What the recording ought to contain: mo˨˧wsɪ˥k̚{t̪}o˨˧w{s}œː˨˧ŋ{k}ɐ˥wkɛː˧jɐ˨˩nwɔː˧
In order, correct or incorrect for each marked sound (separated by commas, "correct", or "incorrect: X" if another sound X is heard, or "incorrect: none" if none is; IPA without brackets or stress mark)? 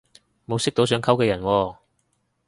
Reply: correct, correct, incorrect: kʰ